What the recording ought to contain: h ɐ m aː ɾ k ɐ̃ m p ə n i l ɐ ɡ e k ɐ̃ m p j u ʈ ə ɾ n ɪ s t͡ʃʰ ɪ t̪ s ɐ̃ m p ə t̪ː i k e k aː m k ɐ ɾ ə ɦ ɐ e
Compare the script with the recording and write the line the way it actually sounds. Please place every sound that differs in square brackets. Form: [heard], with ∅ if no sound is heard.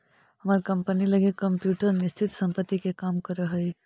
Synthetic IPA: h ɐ m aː ɾ k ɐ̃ m p ə n i l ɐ ɡ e k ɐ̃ m p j [uː] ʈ ə ɾ n ɪ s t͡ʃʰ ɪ t̪ s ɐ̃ m p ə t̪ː i k e k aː m k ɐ ɾ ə ɦ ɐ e